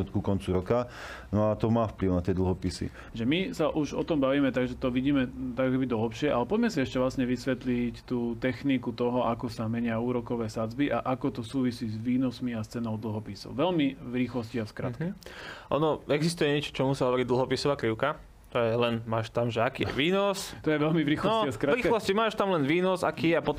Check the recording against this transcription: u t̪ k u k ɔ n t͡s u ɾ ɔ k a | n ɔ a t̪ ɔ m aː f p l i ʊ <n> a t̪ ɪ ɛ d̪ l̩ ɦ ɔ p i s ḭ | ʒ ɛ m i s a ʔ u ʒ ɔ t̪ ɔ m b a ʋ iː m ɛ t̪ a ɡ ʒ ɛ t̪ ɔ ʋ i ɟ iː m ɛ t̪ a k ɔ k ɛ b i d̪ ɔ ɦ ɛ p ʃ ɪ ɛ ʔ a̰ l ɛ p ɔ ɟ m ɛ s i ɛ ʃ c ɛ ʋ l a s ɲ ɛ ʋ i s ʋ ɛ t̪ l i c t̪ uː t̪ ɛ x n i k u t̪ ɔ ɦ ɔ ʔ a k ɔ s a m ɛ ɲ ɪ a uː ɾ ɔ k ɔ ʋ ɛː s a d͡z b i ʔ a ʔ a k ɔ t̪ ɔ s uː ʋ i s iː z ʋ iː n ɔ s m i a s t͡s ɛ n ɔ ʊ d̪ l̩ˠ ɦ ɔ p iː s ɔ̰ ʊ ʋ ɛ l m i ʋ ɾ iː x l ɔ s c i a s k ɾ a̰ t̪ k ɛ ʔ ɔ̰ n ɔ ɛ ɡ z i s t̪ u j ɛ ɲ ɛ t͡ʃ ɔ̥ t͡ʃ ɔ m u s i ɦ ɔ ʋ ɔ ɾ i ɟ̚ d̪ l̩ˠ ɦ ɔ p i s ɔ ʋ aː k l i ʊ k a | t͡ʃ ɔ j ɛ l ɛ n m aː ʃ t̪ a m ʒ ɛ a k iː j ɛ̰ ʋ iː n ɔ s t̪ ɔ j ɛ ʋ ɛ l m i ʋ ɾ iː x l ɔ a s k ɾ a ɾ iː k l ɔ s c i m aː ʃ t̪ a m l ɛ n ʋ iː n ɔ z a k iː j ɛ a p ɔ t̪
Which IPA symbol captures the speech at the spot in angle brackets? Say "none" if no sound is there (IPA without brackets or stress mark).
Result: n